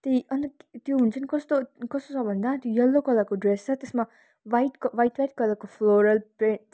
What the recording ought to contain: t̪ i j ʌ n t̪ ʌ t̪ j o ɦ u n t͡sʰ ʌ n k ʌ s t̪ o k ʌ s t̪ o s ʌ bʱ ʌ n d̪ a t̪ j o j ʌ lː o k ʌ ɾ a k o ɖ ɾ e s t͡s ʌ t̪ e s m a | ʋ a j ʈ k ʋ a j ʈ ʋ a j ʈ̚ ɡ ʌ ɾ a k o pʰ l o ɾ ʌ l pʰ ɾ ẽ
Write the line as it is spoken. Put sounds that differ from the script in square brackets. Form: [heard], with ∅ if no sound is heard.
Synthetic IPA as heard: t̪ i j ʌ n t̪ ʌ t̪ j o ɦ u n t͡sʰ ʌ n k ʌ s t̪ o k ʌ s t̪ o s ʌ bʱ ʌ n d̪ a t̪ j o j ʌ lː o k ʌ [l] a k o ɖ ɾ e s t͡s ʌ t̪ e s m a | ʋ a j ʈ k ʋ a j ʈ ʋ a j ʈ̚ [k] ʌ [l] a k o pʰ l o ɾ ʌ l [p] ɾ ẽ

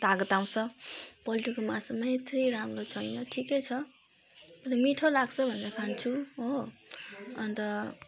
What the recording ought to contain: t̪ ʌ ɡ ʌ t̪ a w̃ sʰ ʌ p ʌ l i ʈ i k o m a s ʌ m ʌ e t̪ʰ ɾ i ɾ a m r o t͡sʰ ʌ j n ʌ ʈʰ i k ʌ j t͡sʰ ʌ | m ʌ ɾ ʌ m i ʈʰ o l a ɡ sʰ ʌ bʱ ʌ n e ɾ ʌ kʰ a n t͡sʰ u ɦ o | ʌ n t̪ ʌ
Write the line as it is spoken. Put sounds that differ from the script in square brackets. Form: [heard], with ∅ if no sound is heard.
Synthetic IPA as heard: t̪ [a] ɡ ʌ t̪ a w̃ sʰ ʌ p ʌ l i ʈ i k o m a s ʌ m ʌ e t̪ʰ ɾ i ɾ a m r o t͡sʰ ʌ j n ʌ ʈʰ i k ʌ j t͡sʰ ʌ | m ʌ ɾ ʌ m i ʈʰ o l a ɡ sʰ ʌ bʱ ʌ n e ɾ ʌ kʰ a n t͡sʰ u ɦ o | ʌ n t̪ ʌ

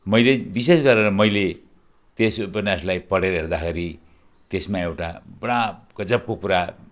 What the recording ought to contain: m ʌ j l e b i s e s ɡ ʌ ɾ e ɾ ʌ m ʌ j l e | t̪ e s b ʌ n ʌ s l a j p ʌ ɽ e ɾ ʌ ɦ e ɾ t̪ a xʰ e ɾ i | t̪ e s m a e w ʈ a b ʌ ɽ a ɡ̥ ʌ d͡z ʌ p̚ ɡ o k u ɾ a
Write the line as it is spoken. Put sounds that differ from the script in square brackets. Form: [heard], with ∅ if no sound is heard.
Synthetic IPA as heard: m ʌ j l e b i s e s ɡ ʌ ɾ e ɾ ʌ m ʌ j l e | t̪ e s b ʌ n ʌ s l a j p ʌ ɽ e ɾ ʌ ɦ e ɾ [d̪] a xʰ e ɾ i | t̪ e s m a e w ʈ a b ʌ ɽ a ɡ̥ ʌ d͡z ʌ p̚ [k] o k u ɾ a

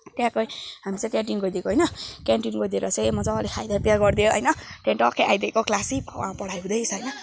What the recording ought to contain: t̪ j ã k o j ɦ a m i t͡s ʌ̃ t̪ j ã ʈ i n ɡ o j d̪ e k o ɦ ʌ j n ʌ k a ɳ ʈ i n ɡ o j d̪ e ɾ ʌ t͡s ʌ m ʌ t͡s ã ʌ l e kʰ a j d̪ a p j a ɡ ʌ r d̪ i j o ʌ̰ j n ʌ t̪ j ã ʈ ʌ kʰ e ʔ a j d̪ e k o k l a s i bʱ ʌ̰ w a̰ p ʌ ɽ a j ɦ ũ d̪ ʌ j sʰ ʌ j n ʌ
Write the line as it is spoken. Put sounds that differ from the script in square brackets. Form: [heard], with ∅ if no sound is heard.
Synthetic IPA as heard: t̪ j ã k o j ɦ a m i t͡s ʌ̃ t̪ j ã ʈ i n ɡ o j d̪ e k o ɦ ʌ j n ʌ k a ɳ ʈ i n ɡ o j d̪ e ɾ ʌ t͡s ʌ m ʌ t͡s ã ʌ l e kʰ a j d̪ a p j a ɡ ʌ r d̪ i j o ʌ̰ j n ʌ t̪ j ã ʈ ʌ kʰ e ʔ a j d̪ e k o k l a s i bʱ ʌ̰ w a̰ p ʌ ɽ a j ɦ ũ d̪ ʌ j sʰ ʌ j n ʌ

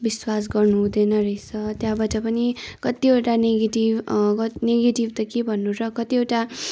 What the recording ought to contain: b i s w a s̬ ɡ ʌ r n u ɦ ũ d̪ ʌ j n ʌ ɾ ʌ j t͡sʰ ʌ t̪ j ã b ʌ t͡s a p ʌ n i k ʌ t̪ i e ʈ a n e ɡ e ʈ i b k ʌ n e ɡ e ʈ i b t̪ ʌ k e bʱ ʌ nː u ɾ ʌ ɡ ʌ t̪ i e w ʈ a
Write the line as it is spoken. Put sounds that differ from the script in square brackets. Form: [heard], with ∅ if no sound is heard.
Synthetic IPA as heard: b i s w a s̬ ɡ ʌ r n u ɦ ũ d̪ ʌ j n ʌ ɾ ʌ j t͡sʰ ʌ t̪ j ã b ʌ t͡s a p ʌ n i k ʌ t̪ i e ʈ a n e ɡ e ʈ i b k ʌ n e ɡ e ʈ i b t̪ ʌ k e bʱ ʌ nː u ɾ ʌ [k] ʌ t̪ i e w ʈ a

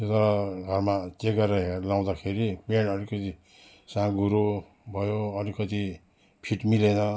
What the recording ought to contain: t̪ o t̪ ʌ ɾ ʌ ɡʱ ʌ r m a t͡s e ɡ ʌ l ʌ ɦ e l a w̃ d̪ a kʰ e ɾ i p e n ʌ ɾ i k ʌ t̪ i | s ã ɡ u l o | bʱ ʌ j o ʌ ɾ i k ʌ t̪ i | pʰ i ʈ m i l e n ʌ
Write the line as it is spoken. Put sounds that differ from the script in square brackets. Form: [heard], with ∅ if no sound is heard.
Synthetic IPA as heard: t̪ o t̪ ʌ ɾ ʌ ɡʱ ʌ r m a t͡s e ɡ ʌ [ɾ] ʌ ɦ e l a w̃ d̪ a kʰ e ɾ i p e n ʌ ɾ i k ʌ t̪ i | s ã ɡ u [ɾ] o | bʱ ʌ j o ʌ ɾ i k ʌ t̪ i | pʰ i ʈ m i l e n ʌ

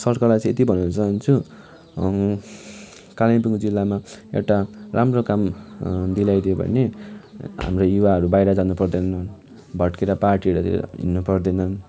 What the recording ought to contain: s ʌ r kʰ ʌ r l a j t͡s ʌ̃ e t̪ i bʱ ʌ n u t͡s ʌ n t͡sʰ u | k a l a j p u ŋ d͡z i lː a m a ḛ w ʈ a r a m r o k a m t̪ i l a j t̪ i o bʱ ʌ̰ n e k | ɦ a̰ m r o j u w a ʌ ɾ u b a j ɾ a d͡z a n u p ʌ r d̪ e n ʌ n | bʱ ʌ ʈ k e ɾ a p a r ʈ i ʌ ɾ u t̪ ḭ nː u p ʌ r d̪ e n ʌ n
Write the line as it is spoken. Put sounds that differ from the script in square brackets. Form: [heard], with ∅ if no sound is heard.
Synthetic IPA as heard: s ʌ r [k] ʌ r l a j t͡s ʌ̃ e t̪ i bʱ ʌ n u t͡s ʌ n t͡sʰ u | k a l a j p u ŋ d͡z i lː a m a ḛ w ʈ a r a m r o k a m [d̪] i l a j [d̪] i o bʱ ʌ̰ n e [∅] | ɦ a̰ m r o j u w a ʌ ɾ u b a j ɾ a d͡z a n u p ʌ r d̪ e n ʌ n | bʱ ʌ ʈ k e ɾ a p a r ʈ i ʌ ɾ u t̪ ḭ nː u p ʌ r d̪ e n ʌ n

